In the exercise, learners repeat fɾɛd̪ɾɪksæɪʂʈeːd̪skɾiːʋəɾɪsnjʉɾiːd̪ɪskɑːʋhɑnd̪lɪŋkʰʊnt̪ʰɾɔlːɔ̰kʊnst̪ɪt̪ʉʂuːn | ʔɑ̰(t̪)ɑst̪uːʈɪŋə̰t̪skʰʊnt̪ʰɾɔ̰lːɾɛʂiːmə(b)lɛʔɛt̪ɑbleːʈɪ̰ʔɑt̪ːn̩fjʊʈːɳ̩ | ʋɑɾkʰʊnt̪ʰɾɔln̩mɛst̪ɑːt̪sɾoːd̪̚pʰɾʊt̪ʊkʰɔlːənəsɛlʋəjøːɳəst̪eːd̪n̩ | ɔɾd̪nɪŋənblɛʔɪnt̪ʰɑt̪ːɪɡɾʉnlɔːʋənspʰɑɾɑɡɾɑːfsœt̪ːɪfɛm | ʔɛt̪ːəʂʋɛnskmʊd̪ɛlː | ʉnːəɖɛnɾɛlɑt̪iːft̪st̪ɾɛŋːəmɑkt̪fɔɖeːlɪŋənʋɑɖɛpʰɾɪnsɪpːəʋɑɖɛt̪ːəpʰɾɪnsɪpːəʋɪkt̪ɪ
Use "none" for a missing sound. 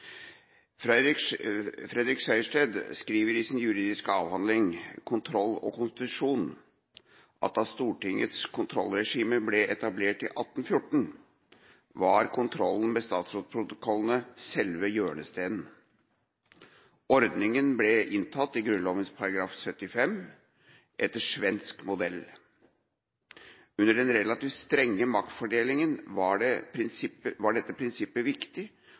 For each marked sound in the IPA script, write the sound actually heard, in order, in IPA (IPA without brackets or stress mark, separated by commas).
t̪, b